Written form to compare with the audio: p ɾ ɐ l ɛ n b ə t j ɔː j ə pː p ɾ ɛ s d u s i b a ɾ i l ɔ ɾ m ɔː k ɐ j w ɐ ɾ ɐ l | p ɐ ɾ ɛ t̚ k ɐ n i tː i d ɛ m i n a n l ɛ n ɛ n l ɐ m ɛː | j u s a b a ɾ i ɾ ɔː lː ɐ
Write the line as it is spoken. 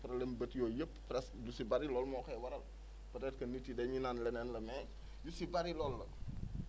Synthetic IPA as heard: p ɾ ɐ l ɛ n b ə t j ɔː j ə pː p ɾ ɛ s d u s i b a ɾ i l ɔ l m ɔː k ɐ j w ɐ ɾ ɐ l | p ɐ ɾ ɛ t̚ k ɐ n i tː i d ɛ ɲ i n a n l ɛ n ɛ n l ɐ m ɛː | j u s i b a ɾ i l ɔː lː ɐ